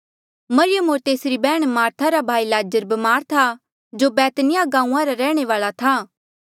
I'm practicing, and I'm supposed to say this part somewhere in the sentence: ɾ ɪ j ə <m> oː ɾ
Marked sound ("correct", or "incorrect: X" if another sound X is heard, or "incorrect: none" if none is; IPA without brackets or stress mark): correct